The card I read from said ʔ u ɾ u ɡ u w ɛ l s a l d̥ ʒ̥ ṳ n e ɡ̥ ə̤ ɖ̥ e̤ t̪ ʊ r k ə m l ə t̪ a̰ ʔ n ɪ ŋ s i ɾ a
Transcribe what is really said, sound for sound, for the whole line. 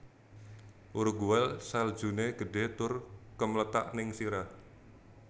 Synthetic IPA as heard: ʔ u ɾ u ɡ u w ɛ l s a l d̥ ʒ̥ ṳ n e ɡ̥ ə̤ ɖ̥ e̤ t̪ ʊ r k ə m l ə t̪ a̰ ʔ n ɪ ŋ s i ɾ a